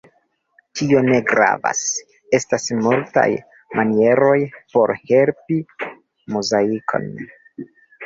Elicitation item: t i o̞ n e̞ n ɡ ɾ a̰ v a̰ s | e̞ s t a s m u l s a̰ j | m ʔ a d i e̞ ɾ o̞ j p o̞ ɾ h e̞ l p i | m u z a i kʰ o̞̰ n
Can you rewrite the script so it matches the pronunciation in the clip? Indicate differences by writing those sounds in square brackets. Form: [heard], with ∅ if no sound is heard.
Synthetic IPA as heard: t i o̞ n e̞ [∅] ɡ ɾ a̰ v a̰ s | e̞ s t a s m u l [t] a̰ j | m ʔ a [n] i e̞ ɾ o̞ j p o̞ ɾ h e̞ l p i | m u z a i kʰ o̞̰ n